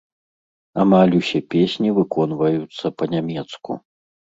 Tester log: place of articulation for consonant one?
labial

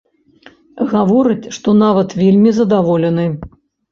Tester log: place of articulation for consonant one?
velar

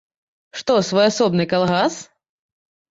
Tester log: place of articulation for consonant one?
retroflex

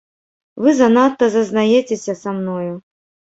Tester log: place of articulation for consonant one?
labial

